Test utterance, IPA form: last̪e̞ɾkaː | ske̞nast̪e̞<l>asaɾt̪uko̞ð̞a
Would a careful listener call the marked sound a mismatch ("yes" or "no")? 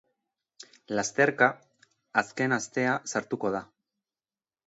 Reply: yes